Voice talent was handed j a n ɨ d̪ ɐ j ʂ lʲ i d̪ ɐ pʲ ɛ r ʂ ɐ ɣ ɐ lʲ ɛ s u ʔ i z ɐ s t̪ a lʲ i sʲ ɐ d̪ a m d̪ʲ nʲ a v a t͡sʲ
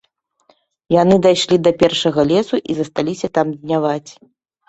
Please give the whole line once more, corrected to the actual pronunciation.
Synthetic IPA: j a n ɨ d̪ a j ʂ lʲ i d̪ ɐ pʲ ɛ r ʂ ɐ ɣ ɐ lʲ ɛ s u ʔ i z ɐ s t̪ a lʲ i sʲ ɐ t̪ a m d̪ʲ nʲ a v a t͡sʲ